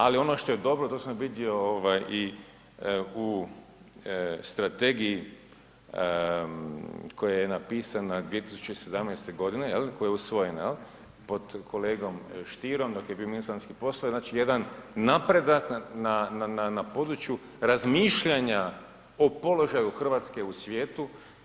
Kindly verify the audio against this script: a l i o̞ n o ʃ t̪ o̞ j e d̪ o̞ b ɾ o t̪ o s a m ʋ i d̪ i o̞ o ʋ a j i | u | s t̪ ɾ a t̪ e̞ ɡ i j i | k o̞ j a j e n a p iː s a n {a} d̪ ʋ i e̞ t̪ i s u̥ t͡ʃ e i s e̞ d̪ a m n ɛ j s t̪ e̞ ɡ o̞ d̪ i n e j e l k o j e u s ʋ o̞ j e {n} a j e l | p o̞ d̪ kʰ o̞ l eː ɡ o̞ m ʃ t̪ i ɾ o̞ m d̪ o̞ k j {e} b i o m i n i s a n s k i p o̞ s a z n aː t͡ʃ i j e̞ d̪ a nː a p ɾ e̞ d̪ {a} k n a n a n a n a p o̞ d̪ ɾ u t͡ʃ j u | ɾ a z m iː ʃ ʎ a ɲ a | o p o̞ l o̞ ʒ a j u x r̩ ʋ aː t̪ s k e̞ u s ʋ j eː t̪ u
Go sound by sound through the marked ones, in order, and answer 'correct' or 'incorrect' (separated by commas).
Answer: correct, correct, correct, correct